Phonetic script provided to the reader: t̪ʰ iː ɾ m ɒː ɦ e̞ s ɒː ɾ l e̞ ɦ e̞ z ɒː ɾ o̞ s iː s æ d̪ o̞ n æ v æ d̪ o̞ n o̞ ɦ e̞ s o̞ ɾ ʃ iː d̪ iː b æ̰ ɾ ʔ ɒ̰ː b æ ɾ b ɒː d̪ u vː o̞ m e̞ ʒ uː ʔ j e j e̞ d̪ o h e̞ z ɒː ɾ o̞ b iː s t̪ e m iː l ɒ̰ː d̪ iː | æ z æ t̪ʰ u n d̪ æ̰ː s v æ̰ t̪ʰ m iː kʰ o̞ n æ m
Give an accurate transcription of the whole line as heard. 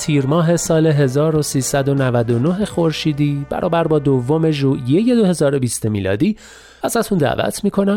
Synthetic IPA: t̪ʰ iː ɾ m ɒː ɦ e̞ s ɒː l e̞ ɦ e̞ z ɒː ɾ o̞ s iː s æ d̪ o̞ n æ v æ d̪ o̞ n o̞ ɦ e̞ x o̞ ɾ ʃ iː d̪ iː b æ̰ ɾ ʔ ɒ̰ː b æ ɾ b ɒː d̪ o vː o̞ m e̞ ʒ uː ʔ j e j e̞ d̪ o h e̞ z ɒː ɾ o̞ b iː s t̪ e m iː l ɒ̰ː d̪ iː | æ z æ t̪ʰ u n d̪ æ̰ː v æ̰ t̪ʰ m iː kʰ o̞ n æ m